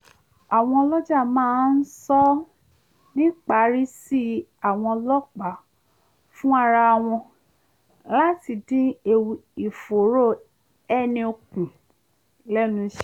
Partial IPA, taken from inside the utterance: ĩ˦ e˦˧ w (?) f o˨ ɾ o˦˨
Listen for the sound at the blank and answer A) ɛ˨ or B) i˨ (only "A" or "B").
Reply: B